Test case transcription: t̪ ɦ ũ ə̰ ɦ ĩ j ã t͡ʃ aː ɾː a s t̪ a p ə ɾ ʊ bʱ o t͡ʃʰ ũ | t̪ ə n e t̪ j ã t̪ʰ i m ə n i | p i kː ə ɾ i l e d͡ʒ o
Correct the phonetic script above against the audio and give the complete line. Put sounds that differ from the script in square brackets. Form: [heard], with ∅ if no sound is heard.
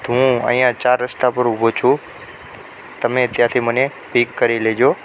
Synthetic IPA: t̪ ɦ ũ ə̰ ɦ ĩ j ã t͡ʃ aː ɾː [ə] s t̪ a p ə ɾ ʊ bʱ o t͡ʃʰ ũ | t̪ ə [m] e t̪ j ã t̪ʰ i m ə n [e] | p i kː ə ɾ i l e d͡ʒ o